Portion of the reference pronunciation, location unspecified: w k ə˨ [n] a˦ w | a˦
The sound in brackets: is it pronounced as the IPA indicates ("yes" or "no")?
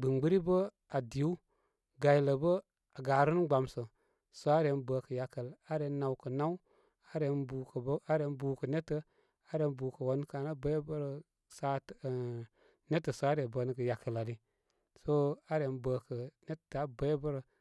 yes